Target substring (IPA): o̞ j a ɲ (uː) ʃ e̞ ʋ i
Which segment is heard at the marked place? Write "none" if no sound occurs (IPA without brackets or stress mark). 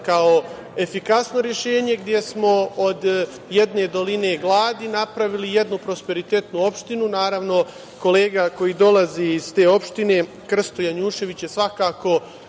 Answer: uː